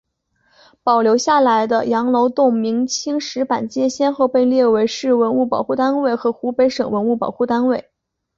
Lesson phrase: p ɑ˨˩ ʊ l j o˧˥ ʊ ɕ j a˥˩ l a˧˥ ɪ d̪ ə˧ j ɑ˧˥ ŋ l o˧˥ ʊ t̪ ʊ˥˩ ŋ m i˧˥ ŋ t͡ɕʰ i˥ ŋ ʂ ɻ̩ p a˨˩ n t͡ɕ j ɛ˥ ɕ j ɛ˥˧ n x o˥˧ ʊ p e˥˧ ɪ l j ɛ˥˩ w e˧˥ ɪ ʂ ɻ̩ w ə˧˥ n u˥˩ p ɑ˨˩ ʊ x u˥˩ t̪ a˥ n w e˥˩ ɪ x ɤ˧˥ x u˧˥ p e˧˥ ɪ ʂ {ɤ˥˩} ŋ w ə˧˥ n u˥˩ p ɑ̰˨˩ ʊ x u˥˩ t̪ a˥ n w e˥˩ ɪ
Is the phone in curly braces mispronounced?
yes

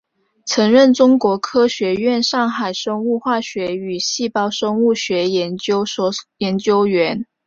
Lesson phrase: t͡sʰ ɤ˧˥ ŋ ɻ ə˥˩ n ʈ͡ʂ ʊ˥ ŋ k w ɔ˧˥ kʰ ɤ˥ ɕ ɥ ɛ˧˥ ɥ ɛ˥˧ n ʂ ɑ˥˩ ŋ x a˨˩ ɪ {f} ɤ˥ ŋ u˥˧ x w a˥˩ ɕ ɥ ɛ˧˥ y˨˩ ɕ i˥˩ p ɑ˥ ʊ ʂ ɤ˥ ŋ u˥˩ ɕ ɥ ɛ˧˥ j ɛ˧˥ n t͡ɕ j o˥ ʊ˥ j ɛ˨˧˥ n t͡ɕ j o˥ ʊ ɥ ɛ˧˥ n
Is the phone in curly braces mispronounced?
yes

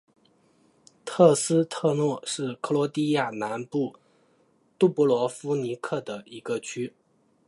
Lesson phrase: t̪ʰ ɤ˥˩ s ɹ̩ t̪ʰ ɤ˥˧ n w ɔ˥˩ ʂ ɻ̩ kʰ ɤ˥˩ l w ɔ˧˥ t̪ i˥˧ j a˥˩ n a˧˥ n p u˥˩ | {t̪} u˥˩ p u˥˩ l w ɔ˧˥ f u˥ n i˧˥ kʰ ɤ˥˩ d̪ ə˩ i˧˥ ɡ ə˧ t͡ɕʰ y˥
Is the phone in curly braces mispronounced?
no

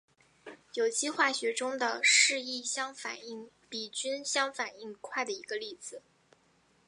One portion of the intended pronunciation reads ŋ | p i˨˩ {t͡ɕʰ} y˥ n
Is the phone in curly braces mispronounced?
yes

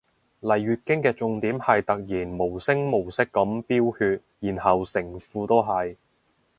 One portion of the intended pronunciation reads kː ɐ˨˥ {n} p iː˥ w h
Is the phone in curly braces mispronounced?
yes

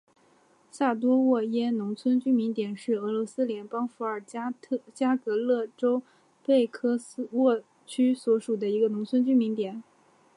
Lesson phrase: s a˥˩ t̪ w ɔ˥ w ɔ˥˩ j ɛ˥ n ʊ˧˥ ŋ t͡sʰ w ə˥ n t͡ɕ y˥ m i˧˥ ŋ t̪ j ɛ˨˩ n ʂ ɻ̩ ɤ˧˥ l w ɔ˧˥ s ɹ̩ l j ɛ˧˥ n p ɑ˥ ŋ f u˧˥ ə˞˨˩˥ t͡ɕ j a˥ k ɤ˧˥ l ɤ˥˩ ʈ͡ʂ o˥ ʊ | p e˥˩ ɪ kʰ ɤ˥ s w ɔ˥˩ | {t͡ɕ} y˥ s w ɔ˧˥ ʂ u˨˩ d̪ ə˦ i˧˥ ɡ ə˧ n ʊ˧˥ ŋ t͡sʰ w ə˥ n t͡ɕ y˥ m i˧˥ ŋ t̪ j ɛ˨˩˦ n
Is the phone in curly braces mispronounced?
yes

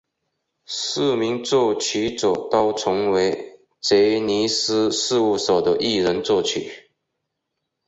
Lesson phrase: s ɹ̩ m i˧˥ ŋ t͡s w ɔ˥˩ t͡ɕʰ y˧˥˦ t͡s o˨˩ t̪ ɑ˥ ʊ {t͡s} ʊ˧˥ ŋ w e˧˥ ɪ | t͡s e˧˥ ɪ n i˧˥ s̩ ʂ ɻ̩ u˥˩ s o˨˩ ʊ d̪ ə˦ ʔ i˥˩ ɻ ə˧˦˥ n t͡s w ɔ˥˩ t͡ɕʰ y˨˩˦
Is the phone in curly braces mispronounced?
yes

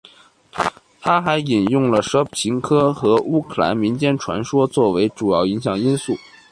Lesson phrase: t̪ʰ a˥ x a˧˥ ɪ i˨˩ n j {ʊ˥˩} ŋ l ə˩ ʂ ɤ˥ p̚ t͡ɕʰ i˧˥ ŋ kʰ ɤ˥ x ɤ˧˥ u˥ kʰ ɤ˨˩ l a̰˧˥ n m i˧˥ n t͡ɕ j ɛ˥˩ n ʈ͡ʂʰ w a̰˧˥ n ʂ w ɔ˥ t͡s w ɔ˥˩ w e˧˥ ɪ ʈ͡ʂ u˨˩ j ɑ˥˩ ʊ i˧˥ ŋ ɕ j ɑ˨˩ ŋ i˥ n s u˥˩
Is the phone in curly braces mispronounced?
no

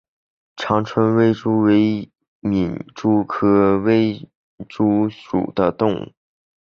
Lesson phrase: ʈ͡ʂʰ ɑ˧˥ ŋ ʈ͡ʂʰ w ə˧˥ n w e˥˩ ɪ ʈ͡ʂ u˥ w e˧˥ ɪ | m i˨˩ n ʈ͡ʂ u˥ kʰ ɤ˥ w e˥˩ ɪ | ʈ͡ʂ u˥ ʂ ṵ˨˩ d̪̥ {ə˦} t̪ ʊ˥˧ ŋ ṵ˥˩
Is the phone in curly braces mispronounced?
no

